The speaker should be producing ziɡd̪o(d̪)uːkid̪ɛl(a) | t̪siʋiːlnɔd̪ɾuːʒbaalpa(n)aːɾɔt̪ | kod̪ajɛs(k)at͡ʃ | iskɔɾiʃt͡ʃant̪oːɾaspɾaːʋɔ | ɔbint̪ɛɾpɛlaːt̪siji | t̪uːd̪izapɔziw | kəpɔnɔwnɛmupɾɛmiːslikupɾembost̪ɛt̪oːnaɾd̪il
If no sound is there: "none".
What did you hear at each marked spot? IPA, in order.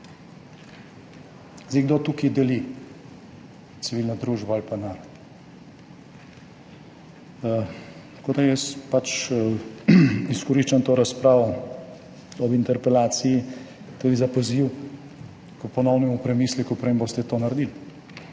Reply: t̪, i, n, p

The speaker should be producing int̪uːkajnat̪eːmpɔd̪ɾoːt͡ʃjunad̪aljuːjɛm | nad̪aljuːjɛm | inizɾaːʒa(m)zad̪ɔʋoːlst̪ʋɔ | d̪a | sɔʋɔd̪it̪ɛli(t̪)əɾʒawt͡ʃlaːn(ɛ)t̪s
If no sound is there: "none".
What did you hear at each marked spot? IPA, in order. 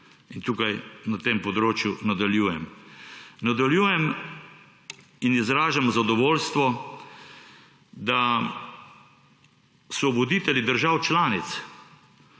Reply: m, d̪, i

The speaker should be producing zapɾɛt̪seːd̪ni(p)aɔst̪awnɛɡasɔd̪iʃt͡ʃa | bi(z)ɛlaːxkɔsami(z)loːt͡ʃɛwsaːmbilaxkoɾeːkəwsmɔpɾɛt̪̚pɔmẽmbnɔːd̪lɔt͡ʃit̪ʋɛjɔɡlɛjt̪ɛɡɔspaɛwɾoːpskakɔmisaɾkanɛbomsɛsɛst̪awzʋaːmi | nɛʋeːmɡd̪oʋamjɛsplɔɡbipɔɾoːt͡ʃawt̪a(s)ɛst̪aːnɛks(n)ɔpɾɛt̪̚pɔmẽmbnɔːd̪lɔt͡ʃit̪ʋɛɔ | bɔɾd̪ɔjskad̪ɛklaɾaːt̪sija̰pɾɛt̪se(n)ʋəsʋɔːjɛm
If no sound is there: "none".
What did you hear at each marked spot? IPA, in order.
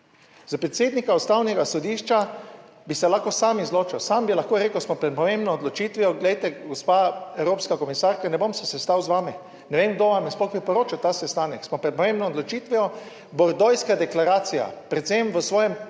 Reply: k, s, z, s, m, m

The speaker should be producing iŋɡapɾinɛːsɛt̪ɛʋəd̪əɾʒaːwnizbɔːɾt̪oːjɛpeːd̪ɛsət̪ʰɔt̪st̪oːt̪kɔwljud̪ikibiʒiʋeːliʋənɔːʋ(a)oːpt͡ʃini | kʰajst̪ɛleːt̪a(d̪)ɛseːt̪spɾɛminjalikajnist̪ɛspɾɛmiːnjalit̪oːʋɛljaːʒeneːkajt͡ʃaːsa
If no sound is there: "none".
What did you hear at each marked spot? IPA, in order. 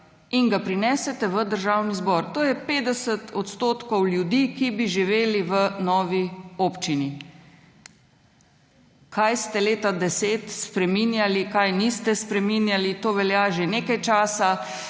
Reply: i, d̪

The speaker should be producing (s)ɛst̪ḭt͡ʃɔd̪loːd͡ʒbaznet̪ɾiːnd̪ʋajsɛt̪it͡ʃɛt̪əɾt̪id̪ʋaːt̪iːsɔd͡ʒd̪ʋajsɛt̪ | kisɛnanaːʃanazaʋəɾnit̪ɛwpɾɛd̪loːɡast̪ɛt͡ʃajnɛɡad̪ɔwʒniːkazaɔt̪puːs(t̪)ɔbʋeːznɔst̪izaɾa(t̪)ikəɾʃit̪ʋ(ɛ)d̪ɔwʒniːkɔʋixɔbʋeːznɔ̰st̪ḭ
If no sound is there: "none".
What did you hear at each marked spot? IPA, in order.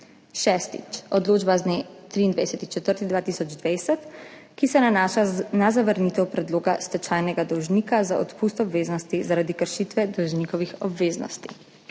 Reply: ʃ, t̪, d̪, ɛ

